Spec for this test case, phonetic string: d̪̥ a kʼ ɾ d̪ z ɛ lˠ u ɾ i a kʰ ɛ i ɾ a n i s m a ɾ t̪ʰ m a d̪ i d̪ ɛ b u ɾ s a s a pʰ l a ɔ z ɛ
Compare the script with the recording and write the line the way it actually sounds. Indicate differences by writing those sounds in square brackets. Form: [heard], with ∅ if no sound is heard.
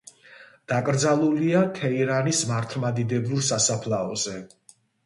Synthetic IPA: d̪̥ a kʼ ɾ d̪ z [a] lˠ u [l] i a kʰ ɛ i ɾ a n i s m a ɾ t̪ʰ m a d̪ i d̪ ɛ b u ɾ s a s a pʰ l a ɔ z ɛ